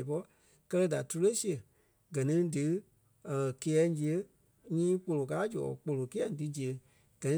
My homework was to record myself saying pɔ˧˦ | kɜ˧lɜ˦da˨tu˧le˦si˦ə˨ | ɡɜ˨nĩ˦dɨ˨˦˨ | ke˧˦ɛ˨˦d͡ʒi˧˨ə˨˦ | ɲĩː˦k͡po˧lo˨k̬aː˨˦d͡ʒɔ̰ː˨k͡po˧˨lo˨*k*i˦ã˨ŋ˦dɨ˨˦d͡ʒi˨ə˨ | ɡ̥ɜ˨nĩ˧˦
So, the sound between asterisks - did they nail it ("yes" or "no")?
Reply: yes